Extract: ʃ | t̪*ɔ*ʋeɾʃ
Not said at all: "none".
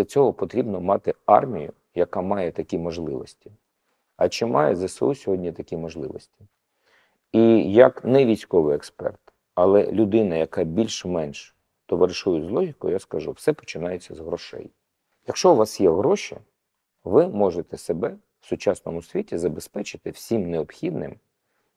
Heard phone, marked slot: ɔ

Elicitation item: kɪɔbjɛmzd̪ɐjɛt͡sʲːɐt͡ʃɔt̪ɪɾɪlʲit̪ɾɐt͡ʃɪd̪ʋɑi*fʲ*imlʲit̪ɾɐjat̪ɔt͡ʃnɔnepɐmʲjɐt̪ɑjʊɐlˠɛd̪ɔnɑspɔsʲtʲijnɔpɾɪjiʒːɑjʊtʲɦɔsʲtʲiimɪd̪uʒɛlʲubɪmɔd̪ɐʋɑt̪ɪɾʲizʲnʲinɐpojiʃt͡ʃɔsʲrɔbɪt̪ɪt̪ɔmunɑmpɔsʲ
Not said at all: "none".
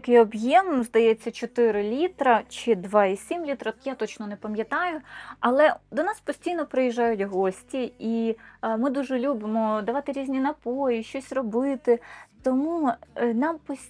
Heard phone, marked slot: sʲ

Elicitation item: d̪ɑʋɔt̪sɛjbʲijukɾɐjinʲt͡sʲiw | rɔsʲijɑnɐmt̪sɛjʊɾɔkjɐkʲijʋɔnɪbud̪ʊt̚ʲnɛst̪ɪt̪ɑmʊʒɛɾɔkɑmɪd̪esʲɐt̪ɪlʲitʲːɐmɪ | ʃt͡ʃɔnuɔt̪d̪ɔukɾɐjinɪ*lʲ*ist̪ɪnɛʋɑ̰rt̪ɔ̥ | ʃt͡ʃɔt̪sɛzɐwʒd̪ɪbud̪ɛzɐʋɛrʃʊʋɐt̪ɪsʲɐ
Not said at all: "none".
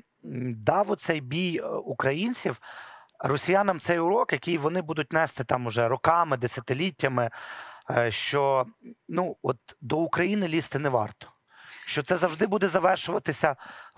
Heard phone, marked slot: lʲ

